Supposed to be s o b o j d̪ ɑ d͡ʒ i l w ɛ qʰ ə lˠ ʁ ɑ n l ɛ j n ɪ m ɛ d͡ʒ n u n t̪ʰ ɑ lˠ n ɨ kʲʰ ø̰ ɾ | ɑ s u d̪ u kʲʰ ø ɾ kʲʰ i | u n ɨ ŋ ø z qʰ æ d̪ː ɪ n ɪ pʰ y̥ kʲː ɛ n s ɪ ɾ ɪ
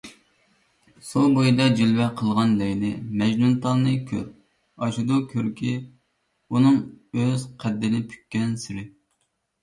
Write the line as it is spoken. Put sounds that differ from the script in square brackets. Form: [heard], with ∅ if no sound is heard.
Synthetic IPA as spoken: s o b o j d̪ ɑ d͡ʒ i l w ɛ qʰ ə lˠ ʁ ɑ n l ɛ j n ɪ m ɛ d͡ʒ n u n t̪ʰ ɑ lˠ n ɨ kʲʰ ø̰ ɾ | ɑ [ʃ] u d̪ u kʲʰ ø ɾ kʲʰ i | u n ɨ ŋ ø z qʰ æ d̪ː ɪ n ɪ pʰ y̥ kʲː ɛ n s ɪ ɾ ɪ